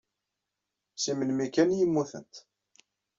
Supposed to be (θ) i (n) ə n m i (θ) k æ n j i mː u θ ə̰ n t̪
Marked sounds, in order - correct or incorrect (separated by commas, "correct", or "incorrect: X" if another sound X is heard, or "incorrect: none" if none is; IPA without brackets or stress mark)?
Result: incorrect: s, incorrect: m, incorrect: none